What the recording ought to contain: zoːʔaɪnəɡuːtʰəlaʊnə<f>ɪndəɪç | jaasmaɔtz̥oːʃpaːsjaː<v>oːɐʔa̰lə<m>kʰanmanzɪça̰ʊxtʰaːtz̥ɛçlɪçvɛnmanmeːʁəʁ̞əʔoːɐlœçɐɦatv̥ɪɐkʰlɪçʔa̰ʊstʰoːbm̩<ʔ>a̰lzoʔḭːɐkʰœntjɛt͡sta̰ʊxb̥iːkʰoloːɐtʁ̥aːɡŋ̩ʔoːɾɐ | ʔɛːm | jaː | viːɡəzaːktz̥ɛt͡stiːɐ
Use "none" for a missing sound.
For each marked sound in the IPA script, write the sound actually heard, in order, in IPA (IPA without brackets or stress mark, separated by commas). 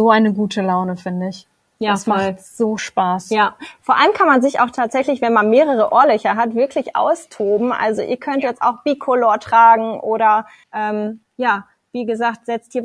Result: f, f, m, ʔ